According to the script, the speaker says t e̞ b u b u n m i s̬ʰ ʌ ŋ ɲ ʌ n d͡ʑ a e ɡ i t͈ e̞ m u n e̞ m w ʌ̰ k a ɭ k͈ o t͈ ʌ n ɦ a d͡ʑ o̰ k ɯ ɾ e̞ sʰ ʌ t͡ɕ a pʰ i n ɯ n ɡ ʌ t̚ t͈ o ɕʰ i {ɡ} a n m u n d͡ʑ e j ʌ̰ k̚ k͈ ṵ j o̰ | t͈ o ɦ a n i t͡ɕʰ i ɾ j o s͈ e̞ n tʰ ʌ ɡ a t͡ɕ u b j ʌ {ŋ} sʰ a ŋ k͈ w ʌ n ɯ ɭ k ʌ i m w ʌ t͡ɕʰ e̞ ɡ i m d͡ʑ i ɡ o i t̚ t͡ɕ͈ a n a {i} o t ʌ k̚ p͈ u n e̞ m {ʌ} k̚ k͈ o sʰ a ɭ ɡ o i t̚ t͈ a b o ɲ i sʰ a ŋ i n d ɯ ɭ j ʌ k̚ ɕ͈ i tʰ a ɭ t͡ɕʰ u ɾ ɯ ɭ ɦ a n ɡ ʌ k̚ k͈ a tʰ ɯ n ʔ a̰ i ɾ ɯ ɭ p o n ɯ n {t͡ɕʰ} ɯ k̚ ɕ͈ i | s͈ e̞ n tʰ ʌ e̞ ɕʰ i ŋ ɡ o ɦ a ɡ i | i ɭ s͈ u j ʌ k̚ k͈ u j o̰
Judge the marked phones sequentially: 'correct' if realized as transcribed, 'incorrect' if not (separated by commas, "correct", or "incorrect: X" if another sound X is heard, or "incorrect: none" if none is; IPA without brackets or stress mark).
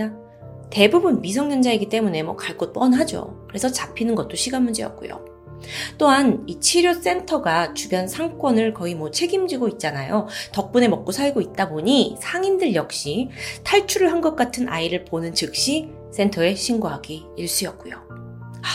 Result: correct, incorrect: n, incorrect: j, correct, incorrect: t͡ɕ